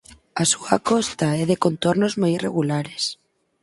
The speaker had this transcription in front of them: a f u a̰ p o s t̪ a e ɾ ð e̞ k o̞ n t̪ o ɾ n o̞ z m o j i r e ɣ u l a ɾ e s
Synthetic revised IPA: a s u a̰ k o s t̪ a e ð e̞ k o̞ n t̪ o ɾ n o̞ z m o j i r e ɣ u l a ɾ e s

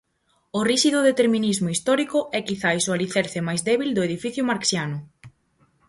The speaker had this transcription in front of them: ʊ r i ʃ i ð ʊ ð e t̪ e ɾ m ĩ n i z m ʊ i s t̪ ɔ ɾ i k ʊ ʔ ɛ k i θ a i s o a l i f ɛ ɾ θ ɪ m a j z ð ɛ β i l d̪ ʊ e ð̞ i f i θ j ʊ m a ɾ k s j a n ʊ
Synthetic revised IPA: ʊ r i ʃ i ð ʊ ð e t̪ e ɾ m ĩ n i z m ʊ i s t̪ ɔ ɾ i k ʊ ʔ ɛ k i θ a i s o a l i θ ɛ ɾ θ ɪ m a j z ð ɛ β i l d̪ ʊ e ð̞ i f i θ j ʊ m a ɾ k s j a n ʊ

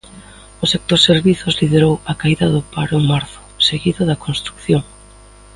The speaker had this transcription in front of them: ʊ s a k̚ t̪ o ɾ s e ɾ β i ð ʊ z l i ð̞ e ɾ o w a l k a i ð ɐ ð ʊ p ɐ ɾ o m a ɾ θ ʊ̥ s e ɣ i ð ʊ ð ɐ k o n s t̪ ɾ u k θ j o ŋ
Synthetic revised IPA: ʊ s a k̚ t̪ o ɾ s e ɾ β i θ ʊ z l i ð̞ e ɾ o w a k a i ð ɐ ð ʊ p a ɾ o m a ɾ θ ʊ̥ s e ɣ i ð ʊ ð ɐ k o n s t̪ ɾ u k θ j o ŋ

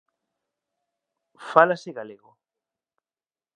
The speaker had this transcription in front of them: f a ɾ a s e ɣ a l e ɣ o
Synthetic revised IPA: f a l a s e ɣ a l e ɣ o

